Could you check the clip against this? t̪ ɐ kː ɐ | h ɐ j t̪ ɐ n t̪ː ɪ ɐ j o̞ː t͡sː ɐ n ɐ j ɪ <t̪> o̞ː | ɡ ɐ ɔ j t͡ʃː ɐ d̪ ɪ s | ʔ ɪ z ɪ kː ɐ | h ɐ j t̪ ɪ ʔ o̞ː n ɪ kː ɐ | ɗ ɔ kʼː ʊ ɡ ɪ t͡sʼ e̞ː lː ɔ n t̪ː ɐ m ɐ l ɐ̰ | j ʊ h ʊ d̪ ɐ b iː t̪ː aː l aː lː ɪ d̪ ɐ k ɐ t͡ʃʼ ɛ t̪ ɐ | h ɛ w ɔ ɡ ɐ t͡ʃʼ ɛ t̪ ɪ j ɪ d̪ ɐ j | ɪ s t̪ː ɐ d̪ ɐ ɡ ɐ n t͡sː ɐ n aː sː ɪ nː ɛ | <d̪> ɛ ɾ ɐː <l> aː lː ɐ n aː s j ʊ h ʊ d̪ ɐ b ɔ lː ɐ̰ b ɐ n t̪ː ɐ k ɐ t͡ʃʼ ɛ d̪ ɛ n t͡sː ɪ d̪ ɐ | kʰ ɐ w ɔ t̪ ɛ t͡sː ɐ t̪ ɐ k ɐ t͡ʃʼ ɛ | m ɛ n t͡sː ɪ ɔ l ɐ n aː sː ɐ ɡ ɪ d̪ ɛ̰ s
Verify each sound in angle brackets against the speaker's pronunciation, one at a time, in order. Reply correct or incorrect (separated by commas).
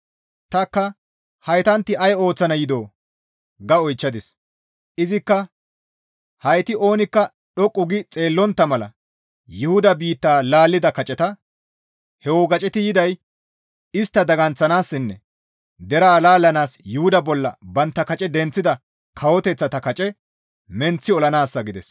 incorrect, correct, correct